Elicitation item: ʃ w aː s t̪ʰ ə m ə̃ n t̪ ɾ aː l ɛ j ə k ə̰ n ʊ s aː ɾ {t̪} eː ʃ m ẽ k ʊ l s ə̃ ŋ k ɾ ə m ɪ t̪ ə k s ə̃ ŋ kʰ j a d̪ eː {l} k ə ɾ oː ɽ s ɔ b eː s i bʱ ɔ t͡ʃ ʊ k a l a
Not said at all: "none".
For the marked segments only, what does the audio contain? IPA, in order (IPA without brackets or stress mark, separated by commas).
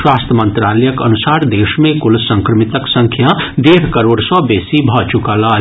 d̪, ɾ